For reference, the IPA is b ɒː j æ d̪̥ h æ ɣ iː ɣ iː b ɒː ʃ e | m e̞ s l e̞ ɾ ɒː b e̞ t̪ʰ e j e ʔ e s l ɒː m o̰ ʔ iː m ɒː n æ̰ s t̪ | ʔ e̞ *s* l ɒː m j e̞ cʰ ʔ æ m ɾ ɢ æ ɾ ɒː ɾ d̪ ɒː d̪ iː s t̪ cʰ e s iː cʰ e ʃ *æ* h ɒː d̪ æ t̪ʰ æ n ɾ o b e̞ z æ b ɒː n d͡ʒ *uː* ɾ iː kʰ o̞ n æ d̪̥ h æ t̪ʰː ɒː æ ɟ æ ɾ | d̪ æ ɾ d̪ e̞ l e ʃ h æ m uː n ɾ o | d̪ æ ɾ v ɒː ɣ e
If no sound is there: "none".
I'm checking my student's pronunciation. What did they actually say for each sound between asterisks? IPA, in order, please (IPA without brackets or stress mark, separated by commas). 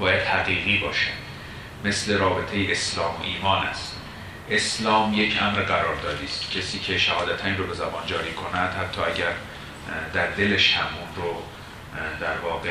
s, æ, ɒː